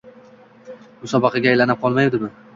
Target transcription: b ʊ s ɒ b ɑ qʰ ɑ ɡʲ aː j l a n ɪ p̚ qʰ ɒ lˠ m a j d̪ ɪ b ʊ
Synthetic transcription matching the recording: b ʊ s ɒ b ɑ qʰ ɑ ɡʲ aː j l a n ɪ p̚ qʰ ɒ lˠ m a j d̪ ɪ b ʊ

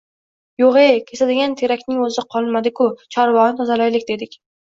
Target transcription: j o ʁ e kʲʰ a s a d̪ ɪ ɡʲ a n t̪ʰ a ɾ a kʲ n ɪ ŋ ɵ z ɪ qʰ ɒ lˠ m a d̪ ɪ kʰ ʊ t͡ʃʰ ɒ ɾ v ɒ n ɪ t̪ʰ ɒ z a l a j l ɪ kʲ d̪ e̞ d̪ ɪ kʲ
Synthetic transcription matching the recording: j o ʁ e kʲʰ e s a d̪ ɪ ɡʲ a n t̪ʰ e ɾ a kʲ n ɪ ŋ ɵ z ɪ qʰ ɒ lˠ m a d̪ ɪ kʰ ʊ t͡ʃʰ ɒ ɾ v ɒ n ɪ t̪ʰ ɒ z a l a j l ɪ kʲ d̪ e̞ d̪ ɪ kʲ

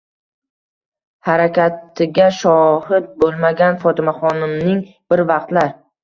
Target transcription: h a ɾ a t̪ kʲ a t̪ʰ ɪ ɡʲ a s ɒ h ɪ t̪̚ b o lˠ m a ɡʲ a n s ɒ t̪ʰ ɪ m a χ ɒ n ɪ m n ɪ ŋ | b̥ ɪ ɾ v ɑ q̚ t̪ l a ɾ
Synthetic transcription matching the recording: h a ɾ a kʲ a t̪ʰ ɪ ɡʲ a ʃ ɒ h ɪ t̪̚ b o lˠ m a ɡʲ a n f ɒ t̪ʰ ɪ m a χ ɒ n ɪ m n ɪ ŋ | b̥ ɪ ɾ v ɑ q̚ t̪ l a ɾ

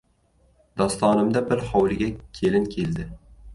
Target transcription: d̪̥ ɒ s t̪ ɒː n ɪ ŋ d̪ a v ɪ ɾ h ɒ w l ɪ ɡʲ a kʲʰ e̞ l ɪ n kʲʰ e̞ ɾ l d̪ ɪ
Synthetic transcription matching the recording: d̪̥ ɒ s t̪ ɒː n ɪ m d̪ a b ɪ ɾ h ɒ w l ɪ ɡʲ a kʲʰ e̞ l ɪ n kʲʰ e̞ l d̪ ɪ

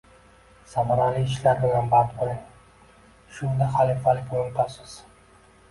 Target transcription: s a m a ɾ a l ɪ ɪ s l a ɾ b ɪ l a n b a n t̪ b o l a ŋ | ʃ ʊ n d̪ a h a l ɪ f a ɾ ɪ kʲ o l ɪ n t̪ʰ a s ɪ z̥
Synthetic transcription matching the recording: s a m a ɾ a l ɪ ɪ ʃ l a ɾ b ɪ l a n b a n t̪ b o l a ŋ | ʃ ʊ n d̪ a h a l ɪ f a l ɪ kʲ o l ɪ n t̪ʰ a s ɪ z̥

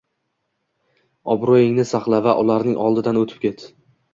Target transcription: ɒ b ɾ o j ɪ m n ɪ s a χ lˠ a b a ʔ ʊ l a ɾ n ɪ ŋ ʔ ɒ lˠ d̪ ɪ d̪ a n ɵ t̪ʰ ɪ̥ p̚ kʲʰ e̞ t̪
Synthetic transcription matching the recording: ɒ b ɾ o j ɪ ŋ n ɪ s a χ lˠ a v a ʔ ʊ l a ɾ n ɪ ŋ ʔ ɒ lˠ d̪ ɪ d̪ a n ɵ t̪ʰ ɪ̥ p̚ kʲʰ e̞ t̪

